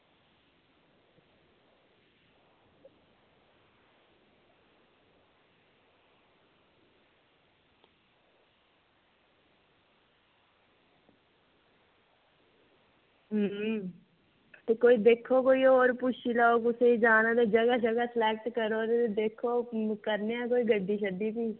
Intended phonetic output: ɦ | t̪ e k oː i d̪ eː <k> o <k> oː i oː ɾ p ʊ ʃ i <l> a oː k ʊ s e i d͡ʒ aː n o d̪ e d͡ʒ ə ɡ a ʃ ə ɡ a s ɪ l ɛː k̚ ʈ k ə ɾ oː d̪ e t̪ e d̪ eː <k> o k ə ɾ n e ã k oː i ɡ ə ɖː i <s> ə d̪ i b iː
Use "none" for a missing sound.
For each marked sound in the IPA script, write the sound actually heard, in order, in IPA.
kʰ, k, l, kʰ, ʃ

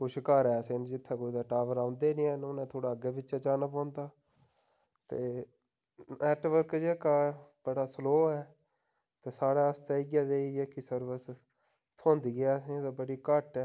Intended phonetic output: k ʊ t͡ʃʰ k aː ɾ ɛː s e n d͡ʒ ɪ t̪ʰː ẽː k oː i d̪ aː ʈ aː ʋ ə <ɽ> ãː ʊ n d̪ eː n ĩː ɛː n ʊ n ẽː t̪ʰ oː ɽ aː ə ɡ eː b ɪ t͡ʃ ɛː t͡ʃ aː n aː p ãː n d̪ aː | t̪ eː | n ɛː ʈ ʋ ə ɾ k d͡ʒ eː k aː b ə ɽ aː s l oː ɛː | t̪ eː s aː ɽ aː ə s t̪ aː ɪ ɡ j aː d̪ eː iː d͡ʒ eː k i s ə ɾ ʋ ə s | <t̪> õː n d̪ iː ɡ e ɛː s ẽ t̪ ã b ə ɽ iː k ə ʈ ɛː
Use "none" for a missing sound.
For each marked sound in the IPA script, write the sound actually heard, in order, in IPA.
ɾ, t̪ʰ

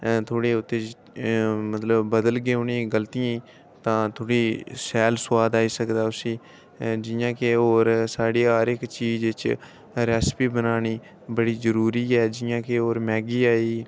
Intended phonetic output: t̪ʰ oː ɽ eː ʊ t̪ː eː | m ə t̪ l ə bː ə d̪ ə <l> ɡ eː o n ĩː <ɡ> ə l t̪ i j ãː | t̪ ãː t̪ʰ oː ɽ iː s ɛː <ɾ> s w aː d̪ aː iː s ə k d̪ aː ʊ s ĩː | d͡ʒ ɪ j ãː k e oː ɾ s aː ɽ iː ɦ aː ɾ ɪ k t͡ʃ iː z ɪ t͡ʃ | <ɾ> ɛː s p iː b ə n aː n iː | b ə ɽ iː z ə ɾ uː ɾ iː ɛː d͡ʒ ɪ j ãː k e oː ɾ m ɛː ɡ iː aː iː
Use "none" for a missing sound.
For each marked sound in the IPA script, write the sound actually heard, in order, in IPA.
l, ɡ, l, ɾ

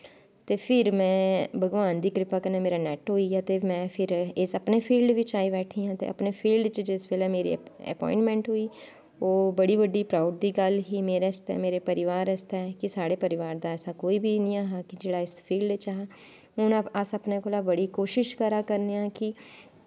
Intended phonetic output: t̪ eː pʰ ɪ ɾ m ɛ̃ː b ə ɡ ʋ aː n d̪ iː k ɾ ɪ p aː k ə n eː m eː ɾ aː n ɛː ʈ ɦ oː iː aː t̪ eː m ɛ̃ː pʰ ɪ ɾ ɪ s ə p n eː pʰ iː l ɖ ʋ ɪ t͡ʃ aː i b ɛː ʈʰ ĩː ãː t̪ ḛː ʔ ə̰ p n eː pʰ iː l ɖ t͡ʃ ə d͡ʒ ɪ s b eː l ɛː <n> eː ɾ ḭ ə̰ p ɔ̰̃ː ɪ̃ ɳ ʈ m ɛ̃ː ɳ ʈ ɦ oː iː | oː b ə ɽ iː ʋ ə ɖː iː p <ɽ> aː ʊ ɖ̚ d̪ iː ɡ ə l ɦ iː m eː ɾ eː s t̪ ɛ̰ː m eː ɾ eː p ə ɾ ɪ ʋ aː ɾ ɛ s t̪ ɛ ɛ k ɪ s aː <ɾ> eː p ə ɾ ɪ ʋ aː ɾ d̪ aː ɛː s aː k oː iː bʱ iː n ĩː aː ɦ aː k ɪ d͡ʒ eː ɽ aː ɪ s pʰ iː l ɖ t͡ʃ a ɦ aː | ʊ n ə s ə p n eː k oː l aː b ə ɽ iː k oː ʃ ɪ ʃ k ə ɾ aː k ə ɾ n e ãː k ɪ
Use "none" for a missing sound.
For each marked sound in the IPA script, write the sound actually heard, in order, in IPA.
m, ɾ, ɽ

